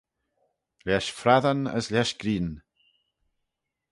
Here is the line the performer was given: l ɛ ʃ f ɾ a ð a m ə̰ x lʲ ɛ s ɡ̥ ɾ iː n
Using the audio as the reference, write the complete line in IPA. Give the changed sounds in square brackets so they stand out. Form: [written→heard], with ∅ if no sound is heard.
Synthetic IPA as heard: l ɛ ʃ f ɾ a ð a [m→n] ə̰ [x→s] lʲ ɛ [s→ʃ] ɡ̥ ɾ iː n